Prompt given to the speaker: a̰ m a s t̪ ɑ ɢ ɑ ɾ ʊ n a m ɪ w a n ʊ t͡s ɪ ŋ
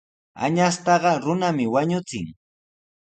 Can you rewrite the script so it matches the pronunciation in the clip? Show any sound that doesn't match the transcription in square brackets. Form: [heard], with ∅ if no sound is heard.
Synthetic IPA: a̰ [ɲ] a s t̪ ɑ ɢ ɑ ɾ ʊ n a m ɪ w a [ɲ] ʊ t͡s ɪ ŋ